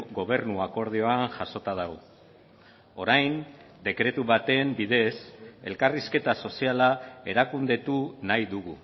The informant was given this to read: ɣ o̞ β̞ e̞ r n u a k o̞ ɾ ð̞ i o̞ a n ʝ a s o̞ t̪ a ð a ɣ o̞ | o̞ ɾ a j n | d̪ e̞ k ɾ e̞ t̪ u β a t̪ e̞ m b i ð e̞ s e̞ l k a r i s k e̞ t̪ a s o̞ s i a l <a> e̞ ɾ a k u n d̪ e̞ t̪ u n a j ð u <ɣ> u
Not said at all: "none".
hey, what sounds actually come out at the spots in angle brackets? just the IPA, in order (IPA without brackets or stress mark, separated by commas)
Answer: a, ɣ